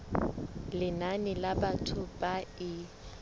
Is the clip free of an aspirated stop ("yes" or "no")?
no